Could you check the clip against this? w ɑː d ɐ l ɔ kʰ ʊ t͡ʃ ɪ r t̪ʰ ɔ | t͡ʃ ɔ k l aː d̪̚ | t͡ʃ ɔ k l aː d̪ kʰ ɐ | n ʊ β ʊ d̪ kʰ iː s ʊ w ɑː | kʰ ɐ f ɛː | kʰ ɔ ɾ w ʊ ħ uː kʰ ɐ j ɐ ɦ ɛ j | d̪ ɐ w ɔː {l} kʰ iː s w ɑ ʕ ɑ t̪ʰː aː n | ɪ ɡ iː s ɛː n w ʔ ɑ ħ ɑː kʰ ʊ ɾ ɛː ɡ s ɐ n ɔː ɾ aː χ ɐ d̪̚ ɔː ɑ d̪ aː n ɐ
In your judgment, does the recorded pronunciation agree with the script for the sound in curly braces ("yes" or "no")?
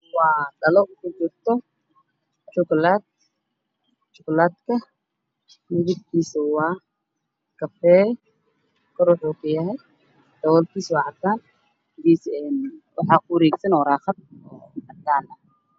yes